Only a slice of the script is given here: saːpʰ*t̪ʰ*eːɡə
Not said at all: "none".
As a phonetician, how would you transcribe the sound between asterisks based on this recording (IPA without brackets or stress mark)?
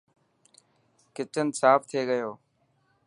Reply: t̪ʰ